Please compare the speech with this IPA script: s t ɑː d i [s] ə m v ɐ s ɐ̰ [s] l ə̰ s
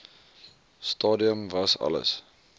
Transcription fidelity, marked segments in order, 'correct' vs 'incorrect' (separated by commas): incorrect, incorrect